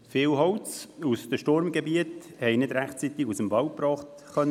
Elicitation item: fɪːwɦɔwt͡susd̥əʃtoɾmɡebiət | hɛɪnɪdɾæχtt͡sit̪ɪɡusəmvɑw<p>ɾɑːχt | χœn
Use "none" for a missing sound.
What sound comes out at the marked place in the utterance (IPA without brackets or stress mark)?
p